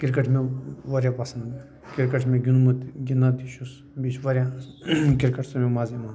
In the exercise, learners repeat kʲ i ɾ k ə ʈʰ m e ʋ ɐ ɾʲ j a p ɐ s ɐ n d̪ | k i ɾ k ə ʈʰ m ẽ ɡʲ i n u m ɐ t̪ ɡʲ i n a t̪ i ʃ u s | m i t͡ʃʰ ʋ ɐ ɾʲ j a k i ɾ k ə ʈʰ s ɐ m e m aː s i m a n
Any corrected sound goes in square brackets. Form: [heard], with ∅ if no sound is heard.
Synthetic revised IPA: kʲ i ɾ k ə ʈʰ m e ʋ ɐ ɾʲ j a p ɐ s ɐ n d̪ | k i ɾ k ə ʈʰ m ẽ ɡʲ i n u m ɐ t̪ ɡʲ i n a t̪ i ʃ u s | [b] i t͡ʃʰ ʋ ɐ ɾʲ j a k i ɾ k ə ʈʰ s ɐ m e m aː [z] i m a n